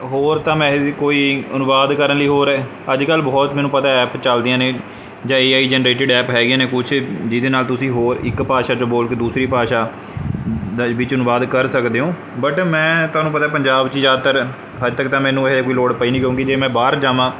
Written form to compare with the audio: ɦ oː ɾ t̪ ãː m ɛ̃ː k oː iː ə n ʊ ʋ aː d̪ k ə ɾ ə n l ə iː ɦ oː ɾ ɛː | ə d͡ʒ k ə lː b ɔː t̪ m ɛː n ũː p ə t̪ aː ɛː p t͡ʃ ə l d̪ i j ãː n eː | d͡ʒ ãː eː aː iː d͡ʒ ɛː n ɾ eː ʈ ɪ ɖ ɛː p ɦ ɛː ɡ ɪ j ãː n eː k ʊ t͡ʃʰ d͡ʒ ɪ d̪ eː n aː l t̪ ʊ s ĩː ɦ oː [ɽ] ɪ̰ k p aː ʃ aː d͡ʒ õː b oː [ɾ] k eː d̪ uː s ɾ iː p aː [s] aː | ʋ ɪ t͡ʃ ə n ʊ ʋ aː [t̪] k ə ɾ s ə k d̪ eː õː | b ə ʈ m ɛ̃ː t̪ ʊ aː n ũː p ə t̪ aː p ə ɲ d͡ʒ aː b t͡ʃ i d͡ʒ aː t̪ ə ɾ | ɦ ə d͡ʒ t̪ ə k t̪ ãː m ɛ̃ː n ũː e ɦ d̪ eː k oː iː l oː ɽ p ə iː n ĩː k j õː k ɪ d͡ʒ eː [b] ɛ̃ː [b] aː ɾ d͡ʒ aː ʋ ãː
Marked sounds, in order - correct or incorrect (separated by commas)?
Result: incorrect, incorrect, incorrect, incorrect, incorrect, correct